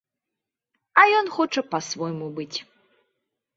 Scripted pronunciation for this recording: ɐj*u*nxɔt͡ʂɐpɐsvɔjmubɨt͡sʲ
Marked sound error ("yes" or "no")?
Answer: yes